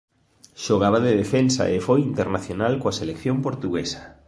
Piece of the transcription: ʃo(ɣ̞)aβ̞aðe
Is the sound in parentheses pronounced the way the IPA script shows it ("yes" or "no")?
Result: yes